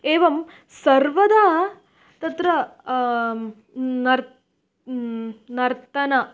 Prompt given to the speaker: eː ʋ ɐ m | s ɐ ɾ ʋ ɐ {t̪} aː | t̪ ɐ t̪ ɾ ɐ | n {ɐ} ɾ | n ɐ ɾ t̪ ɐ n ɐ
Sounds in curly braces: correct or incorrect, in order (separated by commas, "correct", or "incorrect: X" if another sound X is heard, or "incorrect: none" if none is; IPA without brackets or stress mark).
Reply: incorrect: d̪, correct